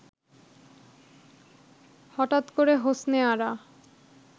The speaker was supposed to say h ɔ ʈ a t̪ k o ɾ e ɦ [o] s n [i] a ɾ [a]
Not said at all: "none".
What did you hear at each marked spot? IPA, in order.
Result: o, e, a

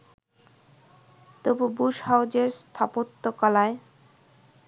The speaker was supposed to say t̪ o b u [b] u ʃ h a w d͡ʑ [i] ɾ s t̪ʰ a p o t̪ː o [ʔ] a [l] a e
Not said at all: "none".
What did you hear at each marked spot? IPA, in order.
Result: b, e, k, l

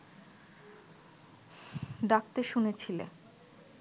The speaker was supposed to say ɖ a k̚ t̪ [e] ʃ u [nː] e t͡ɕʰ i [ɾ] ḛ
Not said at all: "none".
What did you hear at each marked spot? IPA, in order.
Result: e, n, l

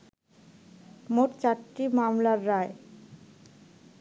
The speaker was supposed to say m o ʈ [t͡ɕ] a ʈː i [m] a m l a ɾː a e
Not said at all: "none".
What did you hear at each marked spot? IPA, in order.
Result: t͡ɕ, m

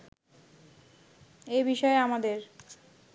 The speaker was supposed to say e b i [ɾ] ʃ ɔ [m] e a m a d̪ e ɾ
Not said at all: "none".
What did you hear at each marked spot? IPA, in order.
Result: none, none

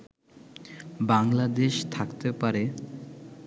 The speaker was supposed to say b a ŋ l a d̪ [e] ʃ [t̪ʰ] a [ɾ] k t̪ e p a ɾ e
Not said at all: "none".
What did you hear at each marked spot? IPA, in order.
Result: e, t̪ʰ, none

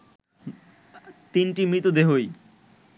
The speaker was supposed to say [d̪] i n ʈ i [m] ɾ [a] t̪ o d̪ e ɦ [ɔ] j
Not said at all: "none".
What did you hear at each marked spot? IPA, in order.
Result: t̪, m, i, o

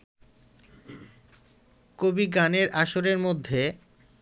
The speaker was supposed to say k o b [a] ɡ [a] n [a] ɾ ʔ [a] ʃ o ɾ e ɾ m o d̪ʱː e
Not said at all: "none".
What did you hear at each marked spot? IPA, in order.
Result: i, a, e, a

